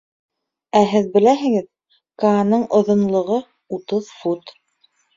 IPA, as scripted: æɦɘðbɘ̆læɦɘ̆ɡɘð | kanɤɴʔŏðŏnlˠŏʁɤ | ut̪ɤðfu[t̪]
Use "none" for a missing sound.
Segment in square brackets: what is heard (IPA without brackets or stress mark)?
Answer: t̪